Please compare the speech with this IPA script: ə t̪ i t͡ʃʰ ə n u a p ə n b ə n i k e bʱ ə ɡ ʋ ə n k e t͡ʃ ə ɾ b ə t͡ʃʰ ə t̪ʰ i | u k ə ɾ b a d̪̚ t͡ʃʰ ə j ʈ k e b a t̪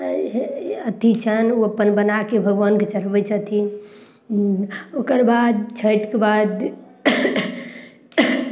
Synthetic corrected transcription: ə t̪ i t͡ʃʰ ə n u ə p ə n b ə n a k e bʱ ə ɡ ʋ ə n k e t͡ʃ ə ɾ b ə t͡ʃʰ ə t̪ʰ i | o k ə ɾ b a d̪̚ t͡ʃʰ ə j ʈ k e b a d̪